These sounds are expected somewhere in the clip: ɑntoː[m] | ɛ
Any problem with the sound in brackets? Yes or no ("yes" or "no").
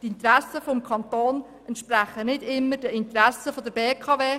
yes